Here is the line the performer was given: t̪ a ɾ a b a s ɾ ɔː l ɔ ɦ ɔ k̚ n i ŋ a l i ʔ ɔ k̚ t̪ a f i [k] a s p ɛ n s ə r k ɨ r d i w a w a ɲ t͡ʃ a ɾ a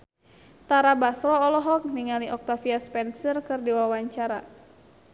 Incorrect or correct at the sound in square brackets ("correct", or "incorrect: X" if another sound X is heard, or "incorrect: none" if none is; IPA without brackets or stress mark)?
incorrect: none